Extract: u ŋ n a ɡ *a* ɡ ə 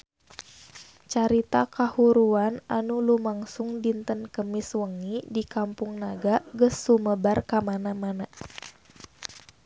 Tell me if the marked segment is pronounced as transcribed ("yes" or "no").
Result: yes